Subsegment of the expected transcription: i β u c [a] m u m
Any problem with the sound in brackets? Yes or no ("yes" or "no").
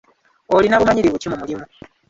yes